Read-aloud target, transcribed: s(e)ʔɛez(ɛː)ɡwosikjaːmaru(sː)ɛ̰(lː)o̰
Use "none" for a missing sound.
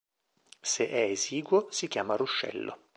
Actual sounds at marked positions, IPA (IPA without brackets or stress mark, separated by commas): e, iː, ʃː, lː